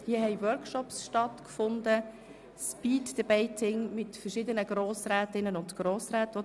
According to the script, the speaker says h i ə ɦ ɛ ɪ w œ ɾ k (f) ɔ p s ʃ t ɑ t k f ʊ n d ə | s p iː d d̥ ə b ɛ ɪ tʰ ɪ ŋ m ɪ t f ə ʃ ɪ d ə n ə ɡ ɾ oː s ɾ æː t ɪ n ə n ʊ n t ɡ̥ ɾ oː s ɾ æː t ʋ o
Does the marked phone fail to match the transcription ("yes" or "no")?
yes